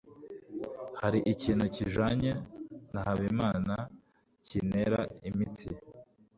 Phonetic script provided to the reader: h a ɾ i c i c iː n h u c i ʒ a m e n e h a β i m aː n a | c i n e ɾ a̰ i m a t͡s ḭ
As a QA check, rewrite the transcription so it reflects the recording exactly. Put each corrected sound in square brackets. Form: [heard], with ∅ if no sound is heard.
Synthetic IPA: h a ɾ i [ʔ] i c iː n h u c i ʒ a [ɲ] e n [a] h a β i m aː n a | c i n e ɾ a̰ i m [i] t͡s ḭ